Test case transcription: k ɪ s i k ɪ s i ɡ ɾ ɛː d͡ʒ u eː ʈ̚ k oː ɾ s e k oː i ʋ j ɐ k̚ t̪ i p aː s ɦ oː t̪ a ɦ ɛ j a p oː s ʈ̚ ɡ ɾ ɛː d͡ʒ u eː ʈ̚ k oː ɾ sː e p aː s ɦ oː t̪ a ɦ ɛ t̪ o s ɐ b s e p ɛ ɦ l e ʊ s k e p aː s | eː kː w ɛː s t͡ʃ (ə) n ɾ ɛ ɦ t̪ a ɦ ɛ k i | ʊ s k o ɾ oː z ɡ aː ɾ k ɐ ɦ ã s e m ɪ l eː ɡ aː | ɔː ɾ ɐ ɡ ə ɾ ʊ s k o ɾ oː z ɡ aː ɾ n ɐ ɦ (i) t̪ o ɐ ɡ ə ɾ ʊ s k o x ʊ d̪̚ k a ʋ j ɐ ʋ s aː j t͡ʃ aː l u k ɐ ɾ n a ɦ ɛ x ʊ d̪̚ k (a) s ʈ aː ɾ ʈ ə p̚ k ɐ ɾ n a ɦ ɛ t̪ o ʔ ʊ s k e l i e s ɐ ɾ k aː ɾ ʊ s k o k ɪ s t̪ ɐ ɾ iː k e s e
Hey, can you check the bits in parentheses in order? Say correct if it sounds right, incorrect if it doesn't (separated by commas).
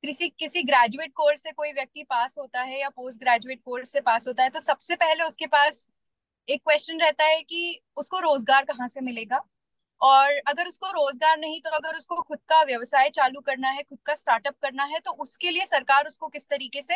correct, incorrect, correct